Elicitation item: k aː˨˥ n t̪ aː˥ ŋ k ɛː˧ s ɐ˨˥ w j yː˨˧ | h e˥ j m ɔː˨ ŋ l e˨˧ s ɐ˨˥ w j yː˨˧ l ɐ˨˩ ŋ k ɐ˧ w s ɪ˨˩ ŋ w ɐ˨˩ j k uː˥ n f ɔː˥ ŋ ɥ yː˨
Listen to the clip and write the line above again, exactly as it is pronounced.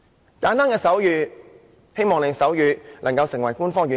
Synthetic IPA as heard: k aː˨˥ n t̪ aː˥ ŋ k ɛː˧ s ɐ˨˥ w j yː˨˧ | h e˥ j m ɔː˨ ŋ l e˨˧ s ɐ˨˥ w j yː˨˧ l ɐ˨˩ ŋ k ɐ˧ w s ɪ˨˩ ŋ w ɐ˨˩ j k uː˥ n f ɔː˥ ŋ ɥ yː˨